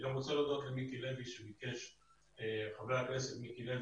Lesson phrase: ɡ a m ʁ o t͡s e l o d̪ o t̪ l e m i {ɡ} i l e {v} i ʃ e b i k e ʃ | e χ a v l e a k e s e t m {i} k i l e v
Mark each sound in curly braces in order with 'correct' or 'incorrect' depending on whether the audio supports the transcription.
incorrect: k, correct, correct

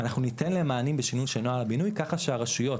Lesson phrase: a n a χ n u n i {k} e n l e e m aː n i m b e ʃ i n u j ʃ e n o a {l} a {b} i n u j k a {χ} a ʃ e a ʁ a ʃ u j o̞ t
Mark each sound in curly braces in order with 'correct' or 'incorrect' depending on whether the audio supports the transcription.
incorrect: t, correct, correct, correct

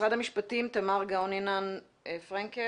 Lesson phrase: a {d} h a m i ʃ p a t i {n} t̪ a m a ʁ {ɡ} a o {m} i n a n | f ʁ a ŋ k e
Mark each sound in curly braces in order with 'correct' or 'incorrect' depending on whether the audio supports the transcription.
correct, incorrect: m, correct, incorrect: n

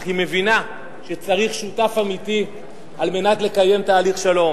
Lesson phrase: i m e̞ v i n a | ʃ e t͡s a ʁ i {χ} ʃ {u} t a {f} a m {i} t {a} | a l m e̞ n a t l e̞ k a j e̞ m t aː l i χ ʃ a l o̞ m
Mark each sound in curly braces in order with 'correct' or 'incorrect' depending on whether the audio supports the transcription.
correct, correct, correct, correct, incorrect: i

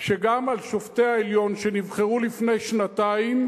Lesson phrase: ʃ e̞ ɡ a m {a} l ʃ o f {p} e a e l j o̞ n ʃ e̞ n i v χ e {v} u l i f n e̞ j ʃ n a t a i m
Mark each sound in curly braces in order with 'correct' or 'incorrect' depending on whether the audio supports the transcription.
correct, incorrect: t, incorrect: ʁ

